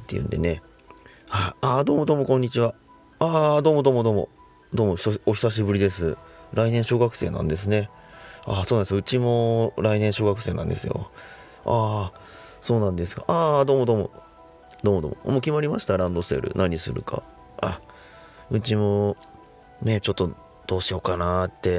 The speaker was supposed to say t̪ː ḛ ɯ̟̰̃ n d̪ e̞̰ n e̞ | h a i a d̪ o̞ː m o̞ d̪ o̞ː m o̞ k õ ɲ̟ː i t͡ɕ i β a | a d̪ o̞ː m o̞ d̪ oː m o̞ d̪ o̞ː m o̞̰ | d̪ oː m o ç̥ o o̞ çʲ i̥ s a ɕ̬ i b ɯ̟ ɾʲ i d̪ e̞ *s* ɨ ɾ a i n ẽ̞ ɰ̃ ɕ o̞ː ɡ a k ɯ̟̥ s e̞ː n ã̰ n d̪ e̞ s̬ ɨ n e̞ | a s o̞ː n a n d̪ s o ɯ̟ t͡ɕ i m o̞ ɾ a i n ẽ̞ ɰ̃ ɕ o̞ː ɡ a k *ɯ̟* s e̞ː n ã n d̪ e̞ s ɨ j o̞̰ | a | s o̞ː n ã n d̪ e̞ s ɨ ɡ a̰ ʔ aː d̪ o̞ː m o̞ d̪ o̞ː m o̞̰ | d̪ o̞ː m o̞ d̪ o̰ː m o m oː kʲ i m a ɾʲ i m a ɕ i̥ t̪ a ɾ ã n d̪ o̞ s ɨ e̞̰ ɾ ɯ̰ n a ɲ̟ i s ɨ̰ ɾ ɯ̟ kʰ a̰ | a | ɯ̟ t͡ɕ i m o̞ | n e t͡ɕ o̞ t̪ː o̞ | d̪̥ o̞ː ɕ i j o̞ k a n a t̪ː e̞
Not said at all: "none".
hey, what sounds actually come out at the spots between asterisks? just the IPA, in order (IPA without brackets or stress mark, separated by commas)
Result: s, ɯ̟